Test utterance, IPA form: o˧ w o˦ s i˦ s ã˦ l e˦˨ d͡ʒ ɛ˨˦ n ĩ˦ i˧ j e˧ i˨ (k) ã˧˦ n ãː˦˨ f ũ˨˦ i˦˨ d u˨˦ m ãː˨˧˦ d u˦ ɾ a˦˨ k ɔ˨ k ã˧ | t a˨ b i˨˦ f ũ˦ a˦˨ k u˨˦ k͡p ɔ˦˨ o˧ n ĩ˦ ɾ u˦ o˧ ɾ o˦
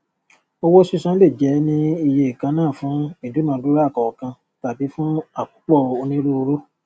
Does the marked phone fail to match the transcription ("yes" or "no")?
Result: no